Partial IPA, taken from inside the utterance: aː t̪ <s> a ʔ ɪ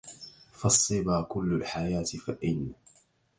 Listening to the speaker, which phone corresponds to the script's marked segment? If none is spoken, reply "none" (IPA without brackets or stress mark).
f